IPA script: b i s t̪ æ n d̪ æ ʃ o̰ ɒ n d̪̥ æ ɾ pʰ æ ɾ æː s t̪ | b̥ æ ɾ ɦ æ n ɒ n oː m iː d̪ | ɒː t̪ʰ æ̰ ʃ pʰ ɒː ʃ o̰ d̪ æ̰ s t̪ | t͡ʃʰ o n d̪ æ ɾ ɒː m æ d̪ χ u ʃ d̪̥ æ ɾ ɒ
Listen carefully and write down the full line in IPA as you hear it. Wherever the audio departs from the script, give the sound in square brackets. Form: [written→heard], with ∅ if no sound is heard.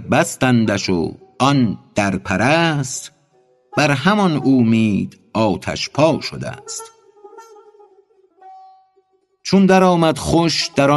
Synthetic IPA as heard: b [i→æ] s t̪ æ n d̪ æ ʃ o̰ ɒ n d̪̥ æ ɾ pʰ æ ɾ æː s t̪ | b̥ æ ɾ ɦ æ [n→m] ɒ n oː m iː d̪ | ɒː t̪ʰ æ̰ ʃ pʰ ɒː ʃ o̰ d̪ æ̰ s t̪ | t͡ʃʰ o n d̪ æ ɾ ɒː m æ d̪ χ [u→o] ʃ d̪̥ æ ɾ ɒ